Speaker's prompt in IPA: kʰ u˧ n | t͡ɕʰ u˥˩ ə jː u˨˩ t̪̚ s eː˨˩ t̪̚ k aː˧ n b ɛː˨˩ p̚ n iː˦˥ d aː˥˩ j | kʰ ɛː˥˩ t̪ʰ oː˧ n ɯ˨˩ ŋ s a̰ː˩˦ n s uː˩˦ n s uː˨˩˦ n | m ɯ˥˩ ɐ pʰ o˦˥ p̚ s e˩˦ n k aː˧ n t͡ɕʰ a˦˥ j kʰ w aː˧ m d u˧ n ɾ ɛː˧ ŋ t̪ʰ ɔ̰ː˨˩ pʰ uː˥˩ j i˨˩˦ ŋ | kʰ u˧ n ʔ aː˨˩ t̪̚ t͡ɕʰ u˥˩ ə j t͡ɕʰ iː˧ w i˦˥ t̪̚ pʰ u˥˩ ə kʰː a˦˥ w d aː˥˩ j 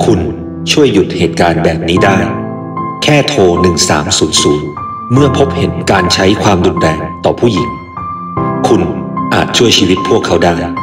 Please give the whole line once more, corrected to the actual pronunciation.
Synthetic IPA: kʰ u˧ n | t͡ɕʰ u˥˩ ə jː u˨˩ t̪̚ h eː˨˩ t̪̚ k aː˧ n b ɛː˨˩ p̚ n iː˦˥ d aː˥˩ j | kʰ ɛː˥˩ t̪ʰ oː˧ n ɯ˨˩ ŋ s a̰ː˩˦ m s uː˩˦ n s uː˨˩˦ n | m ɯ˥˩ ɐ pʰ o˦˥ p̚ h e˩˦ n k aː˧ n t͡ɕʰ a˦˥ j kʰ w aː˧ m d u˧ n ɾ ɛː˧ ŋ t̪ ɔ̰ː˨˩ pʰ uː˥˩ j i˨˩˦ ŋ | kʰ u˧ n ʔ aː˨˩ t̪̚ t͡ɕʰ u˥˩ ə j t͡ɕʰ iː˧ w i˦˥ t̪̚ pʰ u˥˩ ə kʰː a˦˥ w d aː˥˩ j